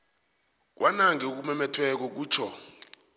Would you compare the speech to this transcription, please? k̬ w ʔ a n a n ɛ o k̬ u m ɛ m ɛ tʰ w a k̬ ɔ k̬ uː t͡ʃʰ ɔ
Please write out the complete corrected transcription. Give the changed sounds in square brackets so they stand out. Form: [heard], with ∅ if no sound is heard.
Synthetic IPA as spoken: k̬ w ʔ a n a [ŋ] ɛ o k̬ u m ɛ m ɛ tʰ w [ɛ] k̬ ɔ k̬ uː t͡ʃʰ ɔ